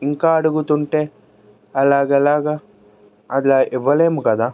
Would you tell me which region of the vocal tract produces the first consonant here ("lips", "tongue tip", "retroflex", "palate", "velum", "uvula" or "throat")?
velum